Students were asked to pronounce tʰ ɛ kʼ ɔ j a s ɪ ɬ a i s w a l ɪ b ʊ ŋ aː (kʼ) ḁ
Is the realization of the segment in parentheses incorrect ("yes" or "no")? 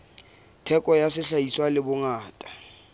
yes